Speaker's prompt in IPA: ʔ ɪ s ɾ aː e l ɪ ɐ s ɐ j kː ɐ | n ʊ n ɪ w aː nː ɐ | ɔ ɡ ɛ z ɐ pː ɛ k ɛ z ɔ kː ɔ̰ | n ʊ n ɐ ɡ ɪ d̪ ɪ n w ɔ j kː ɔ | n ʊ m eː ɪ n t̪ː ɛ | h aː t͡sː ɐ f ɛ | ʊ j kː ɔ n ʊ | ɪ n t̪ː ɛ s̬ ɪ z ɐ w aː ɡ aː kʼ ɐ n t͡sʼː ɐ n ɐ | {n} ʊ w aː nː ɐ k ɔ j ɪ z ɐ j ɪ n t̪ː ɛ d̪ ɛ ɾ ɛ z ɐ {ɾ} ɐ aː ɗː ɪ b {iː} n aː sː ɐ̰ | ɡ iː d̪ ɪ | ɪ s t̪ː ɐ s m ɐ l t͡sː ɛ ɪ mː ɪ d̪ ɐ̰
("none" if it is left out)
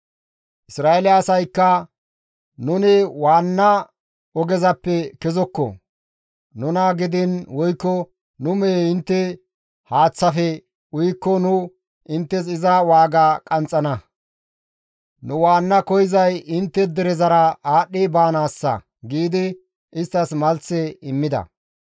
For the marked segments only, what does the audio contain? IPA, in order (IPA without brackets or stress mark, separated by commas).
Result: n, ɾ, aː